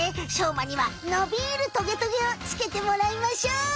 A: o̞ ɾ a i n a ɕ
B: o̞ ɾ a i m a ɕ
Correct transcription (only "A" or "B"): B